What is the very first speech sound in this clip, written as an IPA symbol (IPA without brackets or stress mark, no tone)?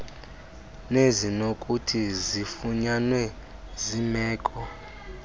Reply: n